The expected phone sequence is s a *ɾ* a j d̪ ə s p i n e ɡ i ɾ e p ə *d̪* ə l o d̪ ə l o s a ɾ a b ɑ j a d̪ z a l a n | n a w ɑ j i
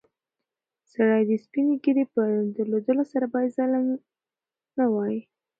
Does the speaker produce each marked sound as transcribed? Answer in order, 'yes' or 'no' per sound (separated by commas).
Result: no, yes